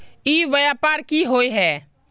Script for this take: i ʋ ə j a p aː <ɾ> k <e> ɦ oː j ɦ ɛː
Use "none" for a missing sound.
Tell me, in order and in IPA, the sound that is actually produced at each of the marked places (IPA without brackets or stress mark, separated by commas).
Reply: ɾ, i